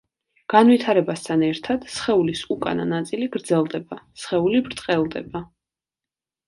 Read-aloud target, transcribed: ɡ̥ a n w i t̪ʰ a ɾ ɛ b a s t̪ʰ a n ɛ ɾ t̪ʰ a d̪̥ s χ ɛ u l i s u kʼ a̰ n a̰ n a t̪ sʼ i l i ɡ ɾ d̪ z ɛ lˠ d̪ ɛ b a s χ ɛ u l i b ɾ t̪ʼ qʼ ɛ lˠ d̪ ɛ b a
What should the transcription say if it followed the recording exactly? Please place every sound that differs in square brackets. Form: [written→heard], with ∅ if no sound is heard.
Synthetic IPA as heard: ɡ̥ a n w i t̪ʰ a ɾ ɛ b a s t̪ʰ a n ɛ ɾ t̪ʰ a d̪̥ s χ ɛ u l i s u kʼ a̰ n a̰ n a t̪ sʼ i l i ɡ ɾ d̪ z ɛ lˠ d̪ ɛ b a s χ ɛ u l i b ɾ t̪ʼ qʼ ɛ lˠ d̪ ɛ b a